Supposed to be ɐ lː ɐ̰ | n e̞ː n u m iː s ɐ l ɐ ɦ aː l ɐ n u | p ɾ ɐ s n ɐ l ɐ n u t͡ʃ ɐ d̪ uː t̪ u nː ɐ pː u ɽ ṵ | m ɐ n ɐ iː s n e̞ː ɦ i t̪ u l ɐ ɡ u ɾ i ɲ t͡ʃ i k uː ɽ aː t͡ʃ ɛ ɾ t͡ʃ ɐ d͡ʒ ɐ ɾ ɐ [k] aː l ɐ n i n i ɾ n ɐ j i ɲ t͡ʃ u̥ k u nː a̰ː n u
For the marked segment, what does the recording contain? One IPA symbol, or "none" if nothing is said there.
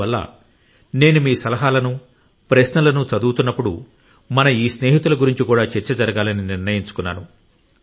ɡ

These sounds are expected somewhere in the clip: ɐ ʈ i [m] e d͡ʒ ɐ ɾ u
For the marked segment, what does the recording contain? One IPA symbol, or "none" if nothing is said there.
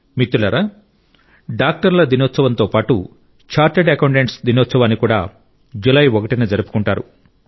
n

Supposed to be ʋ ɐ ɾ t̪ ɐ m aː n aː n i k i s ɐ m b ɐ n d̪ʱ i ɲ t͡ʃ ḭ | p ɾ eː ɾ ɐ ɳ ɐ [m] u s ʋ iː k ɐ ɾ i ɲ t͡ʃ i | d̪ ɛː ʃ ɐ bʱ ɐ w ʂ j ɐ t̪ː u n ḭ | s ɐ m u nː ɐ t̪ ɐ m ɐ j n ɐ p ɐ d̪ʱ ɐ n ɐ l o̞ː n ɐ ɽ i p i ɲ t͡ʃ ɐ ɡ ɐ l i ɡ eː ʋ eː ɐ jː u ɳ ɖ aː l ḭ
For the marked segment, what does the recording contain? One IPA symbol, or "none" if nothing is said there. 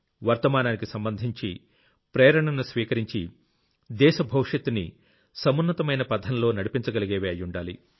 n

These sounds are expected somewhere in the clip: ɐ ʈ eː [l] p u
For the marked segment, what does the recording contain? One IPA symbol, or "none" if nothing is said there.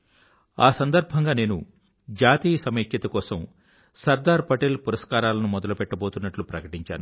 l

